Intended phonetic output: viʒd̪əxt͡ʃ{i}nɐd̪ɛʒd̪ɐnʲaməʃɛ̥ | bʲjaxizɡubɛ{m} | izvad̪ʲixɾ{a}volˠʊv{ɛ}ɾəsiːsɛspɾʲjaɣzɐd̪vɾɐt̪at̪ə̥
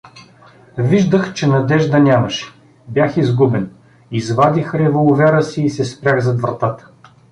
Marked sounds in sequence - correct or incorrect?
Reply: incorrect, incorrect, incorrect, correct

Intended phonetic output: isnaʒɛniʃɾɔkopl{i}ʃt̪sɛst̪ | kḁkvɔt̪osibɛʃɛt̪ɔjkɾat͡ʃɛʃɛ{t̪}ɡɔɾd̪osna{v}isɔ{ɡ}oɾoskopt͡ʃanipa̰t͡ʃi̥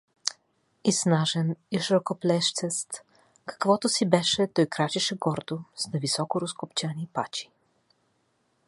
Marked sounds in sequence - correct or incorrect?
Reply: incorrect, incorrect, correct, incorrect

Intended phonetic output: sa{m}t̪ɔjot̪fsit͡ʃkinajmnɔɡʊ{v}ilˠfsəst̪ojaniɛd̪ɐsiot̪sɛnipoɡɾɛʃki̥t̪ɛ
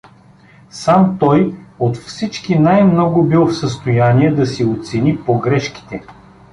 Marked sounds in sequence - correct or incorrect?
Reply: correct, incorrect

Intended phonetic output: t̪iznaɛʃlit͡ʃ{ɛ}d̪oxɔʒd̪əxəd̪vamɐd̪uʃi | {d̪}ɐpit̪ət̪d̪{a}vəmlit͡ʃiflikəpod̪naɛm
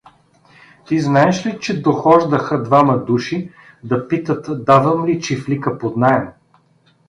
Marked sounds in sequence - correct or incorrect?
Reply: correct, correct, correct

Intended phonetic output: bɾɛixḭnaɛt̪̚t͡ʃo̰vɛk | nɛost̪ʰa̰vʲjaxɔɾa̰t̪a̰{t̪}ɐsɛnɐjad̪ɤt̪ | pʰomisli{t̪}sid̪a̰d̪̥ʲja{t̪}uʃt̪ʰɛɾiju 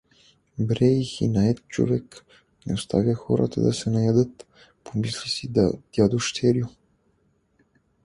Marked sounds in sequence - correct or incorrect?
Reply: incorrect, incorrect, incorrect

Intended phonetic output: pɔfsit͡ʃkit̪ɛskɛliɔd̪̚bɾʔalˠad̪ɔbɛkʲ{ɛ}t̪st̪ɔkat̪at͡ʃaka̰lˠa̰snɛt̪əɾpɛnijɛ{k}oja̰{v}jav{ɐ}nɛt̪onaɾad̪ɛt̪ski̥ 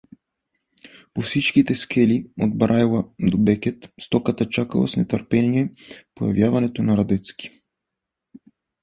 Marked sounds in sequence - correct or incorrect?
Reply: correct, incorrect, correct, incorrect

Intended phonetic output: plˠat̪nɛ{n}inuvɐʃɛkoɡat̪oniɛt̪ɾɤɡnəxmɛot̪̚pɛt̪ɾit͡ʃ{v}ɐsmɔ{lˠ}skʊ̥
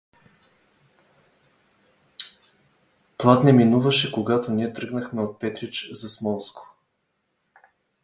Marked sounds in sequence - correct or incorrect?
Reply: incorrect, incorrect, correct

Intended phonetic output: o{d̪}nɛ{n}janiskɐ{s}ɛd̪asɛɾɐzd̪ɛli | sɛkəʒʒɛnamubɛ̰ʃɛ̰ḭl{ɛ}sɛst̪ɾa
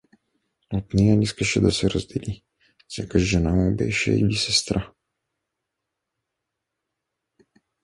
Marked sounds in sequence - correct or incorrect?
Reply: incorrect, incorrect, incorrect, incorrect

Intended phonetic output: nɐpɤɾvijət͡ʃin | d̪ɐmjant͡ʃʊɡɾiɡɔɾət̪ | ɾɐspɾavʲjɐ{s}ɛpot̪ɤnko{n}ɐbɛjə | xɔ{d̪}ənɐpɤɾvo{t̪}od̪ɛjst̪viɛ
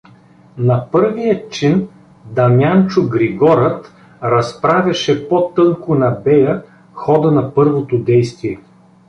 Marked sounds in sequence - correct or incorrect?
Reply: incorrect, correct, correct, correct

